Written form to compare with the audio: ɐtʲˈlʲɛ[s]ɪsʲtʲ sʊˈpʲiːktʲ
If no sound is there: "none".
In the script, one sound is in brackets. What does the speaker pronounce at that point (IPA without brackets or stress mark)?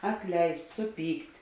none